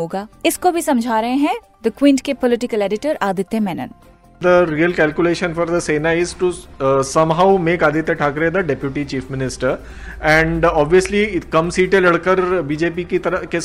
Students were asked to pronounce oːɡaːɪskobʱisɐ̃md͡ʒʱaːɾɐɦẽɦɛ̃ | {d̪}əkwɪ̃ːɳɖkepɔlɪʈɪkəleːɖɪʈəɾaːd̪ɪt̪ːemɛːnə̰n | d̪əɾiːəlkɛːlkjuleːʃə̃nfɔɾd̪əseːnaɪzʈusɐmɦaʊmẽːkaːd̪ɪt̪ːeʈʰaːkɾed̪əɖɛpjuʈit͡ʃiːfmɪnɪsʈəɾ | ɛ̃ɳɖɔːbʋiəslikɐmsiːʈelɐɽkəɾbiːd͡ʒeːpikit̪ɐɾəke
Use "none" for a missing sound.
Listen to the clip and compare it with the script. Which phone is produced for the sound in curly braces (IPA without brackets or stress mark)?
d̪